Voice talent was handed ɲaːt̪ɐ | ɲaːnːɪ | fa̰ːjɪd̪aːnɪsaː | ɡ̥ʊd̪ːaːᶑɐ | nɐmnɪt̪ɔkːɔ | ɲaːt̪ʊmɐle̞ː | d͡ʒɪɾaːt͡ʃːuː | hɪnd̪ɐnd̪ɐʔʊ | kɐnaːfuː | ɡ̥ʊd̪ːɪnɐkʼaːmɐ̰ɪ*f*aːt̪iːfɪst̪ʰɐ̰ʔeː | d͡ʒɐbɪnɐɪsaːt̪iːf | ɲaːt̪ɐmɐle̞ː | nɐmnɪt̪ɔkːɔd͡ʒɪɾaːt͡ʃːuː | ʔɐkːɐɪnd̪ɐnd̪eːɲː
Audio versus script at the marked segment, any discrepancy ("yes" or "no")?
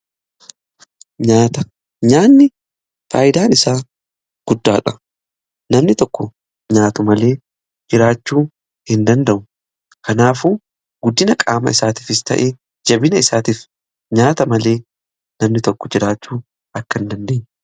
yes